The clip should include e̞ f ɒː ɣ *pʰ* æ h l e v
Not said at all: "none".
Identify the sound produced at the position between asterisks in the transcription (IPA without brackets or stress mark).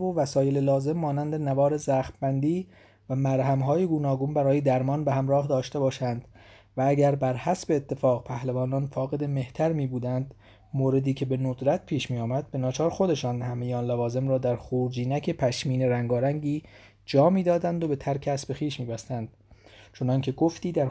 pʰ